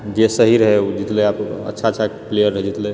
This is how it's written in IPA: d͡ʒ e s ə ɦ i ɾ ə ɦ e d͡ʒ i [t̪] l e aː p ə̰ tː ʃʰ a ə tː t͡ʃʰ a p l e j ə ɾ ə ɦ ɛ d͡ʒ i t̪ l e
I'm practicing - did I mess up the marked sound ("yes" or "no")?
no